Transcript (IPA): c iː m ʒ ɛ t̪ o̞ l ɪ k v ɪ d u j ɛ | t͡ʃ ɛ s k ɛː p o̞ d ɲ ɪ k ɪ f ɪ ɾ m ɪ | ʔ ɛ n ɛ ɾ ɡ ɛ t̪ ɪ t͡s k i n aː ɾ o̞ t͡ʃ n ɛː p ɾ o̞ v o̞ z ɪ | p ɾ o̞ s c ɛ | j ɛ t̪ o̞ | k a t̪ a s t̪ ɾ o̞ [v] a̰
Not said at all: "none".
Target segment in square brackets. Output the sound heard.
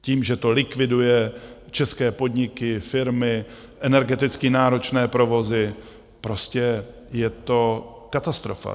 f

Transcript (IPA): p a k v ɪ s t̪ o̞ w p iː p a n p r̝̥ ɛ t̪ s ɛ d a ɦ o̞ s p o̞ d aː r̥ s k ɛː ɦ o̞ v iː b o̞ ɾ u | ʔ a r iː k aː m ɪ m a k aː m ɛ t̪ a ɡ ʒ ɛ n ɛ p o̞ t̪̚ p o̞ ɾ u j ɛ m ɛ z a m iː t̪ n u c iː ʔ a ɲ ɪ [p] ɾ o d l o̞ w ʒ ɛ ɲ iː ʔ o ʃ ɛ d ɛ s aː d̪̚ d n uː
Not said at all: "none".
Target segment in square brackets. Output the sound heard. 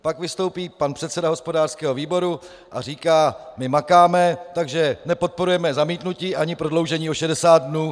p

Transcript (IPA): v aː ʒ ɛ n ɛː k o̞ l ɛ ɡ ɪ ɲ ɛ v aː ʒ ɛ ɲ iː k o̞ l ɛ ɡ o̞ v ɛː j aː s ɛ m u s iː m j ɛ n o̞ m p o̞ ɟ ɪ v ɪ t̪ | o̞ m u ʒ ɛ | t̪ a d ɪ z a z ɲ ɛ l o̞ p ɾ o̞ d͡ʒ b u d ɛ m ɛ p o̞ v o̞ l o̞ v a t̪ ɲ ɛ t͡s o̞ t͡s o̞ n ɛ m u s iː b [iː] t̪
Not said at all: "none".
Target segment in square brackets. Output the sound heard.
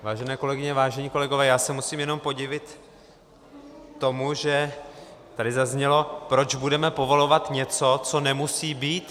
iː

